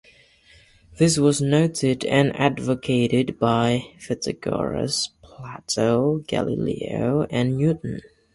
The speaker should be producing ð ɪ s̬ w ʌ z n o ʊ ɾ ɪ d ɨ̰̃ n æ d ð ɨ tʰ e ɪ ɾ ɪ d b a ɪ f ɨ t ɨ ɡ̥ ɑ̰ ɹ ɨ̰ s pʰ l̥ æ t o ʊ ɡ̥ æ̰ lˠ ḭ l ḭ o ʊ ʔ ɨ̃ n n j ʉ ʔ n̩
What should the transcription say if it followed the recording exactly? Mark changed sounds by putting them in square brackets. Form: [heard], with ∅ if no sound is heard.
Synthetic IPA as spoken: ð ɪ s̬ w ʌ z n o ʊ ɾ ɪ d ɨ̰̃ n æ d [v] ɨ [kʰ] e ɪ ɾ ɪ d b a ɪ f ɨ t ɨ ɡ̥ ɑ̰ ɹ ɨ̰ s pʰ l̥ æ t o ʊ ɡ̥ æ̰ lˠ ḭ l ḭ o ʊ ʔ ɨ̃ n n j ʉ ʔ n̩